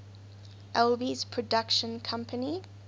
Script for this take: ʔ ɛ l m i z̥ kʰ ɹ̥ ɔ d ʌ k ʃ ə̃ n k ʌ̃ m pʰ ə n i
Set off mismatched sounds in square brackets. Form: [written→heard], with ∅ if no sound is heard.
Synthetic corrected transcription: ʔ ɛ l [m→b] i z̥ [kʰ→pʰ] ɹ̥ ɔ d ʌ k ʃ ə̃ n [k→kʰ] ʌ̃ m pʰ ə n i

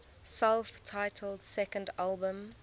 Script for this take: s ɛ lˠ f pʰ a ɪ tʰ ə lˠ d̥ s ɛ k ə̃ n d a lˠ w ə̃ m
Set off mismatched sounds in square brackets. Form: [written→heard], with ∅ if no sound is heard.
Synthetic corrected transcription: s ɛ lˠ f [pʰ→tʰ] a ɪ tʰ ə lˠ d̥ s ɛ k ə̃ n d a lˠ [w→b] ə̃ m

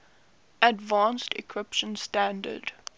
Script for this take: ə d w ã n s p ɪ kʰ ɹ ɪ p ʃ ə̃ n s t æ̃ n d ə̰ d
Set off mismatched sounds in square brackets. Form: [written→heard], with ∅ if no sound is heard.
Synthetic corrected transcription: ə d [w→v] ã n s [p→t] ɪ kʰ ɹ ɪ p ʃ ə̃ n s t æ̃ n d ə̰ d

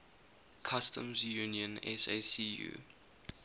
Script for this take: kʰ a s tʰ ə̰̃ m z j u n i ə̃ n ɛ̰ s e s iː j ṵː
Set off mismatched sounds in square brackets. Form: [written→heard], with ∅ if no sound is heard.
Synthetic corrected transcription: kʰ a s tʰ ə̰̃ m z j u n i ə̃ n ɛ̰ s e s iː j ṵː

